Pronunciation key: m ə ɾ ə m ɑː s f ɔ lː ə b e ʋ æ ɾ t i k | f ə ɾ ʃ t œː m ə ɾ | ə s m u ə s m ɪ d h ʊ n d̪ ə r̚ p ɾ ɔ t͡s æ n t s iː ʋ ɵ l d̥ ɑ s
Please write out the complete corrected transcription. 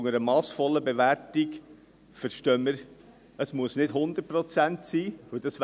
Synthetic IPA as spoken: ŋ ə ɾ ə m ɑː s f ɔ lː ə b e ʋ æ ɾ t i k | f ə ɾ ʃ t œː m ə ɾ | ə s m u ə s n ɪ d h ʊ n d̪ ə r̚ p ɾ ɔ t͡s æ n t s iː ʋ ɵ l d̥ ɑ s